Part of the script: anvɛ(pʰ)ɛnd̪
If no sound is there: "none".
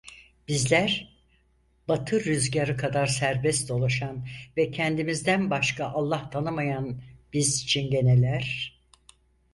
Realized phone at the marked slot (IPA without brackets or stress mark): cʰ